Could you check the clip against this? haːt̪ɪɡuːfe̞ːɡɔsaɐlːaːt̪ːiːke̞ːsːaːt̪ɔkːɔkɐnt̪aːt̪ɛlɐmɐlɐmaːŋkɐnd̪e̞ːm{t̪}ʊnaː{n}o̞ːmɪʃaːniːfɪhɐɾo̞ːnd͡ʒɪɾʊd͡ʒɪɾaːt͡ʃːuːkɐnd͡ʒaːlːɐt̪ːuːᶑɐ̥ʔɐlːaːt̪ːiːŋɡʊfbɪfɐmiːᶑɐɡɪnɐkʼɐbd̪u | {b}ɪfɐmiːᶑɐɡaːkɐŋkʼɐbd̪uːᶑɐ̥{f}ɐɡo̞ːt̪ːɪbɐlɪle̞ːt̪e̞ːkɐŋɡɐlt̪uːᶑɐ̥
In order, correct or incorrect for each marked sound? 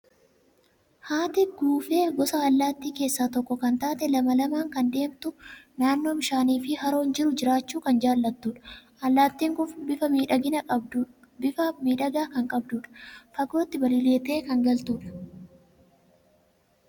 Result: correct, incorrect, correct, correct

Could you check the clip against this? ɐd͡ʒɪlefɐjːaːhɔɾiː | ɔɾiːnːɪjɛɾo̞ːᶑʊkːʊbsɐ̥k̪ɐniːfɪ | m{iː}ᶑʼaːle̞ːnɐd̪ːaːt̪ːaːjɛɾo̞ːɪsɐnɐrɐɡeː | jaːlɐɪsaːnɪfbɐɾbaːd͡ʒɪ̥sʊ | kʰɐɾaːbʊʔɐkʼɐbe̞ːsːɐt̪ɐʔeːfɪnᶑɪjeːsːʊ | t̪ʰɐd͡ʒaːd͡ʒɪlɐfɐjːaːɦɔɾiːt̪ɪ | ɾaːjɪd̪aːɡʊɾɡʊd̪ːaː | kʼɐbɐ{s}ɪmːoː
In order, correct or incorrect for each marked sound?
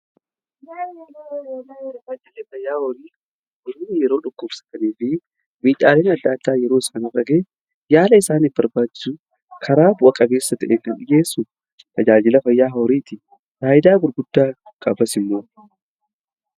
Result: correct, correct

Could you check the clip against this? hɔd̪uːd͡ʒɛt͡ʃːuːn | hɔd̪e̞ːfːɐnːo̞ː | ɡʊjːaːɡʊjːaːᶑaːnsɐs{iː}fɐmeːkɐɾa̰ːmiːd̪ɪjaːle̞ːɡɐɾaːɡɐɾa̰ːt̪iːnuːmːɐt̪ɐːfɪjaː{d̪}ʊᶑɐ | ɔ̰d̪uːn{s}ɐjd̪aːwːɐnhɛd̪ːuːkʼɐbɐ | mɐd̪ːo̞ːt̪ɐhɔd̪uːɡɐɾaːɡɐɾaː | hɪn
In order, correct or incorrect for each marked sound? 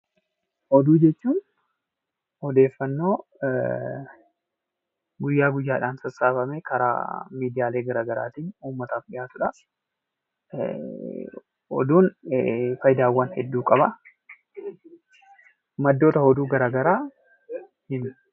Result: incorrect, incorrect, incorrect

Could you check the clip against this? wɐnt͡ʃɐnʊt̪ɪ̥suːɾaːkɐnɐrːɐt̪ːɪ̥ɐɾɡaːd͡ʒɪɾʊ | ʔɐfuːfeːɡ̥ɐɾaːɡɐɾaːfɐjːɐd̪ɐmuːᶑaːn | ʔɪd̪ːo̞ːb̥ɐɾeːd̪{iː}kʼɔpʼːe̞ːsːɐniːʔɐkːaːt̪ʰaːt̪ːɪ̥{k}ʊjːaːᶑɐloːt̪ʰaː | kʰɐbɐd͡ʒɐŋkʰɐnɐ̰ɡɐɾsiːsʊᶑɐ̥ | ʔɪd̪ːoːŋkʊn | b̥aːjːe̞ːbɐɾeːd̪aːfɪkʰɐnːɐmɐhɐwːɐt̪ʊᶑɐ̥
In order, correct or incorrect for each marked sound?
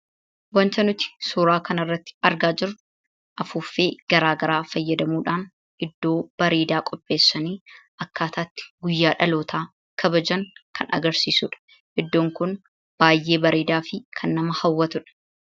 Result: incorrect, incorrect

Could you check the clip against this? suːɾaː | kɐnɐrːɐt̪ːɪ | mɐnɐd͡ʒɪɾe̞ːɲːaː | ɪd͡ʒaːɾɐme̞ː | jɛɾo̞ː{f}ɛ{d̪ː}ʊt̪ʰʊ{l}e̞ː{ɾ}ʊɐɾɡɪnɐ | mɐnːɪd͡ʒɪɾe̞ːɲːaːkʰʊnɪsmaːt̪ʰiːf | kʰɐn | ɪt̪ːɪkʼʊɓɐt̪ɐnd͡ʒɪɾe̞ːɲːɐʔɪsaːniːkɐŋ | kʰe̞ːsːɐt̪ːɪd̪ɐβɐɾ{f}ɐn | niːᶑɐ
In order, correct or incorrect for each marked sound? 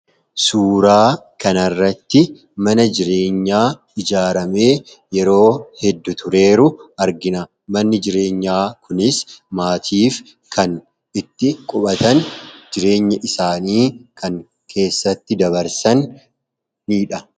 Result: incorrect, correct, incorrect, correct, incorrect

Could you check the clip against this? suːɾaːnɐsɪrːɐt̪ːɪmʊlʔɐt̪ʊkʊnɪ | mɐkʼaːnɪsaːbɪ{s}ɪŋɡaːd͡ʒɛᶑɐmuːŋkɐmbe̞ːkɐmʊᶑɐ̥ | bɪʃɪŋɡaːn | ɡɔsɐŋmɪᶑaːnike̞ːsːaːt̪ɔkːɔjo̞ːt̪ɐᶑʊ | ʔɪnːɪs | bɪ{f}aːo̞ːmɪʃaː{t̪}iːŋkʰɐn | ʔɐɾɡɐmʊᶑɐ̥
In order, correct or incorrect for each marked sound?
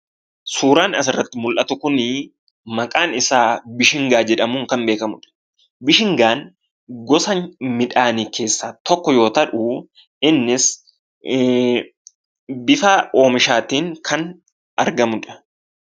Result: incorrect, correct, correct

